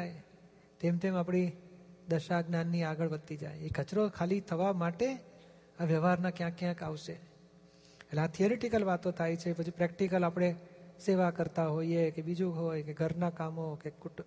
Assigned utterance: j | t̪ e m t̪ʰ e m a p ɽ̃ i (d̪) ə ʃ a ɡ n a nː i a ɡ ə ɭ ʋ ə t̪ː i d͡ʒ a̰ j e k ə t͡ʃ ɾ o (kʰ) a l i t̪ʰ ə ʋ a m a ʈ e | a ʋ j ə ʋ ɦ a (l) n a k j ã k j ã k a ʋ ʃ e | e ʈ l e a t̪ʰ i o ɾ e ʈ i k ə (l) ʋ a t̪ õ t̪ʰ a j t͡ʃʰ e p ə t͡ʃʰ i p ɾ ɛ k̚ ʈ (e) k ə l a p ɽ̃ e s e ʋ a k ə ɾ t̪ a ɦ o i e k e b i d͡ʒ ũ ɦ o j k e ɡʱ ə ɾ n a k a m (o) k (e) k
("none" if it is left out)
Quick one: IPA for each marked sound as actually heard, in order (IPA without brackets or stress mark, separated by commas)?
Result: d̪, kʰ, ɾ, l, i, o, e